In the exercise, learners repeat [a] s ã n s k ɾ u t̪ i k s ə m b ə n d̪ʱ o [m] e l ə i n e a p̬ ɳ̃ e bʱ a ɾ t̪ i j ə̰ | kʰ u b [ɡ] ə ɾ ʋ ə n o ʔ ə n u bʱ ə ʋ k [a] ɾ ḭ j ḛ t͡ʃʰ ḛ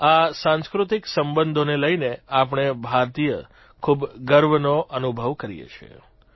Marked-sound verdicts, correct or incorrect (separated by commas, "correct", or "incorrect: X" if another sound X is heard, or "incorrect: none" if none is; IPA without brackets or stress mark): correct, incorrect: n, correct, incorrect: ə